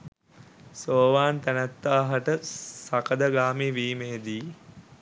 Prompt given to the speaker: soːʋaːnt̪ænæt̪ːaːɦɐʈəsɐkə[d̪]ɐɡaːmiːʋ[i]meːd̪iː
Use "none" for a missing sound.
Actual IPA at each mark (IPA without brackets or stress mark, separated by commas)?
d̪, iː